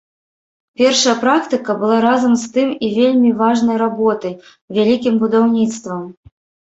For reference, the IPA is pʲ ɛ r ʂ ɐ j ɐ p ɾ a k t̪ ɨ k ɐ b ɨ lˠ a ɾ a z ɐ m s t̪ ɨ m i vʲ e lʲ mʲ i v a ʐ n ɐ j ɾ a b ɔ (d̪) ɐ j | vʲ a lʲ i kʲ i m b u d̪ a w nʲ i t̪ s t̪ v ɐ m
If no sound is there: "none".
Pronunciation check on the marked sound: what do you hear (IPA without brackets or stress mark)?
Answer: t̪